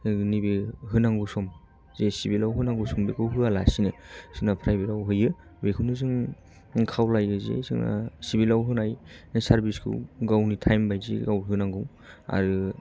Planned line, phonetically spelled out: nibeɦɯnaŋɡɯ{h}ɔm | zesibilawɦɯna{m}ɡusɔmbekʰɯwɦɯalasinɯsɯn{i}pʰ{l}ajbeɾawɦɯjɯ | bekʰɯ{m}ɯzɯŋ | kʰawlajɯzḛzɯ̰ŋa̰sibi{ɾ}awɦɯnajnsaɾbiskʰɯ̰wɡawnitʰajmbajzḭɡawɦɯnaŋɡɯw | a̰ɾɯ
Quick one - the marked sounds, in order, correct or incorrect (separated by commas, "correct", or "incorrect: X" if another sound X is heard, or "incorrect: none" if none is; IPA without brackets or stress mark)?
incorrect: s, incorrect: ŋ, incorrect: a, incorrect: ɾ, incorrect: n, incorrect: l